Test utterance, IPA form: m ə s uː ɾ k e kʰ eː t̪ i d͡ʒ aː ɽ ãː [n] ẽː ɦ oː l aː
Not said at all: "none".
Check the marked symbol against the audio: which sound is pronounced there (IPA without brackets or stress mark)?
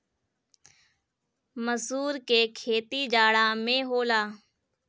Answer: m